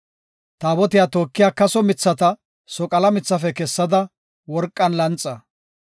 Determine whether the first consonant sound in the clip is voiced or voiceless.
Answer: voiceless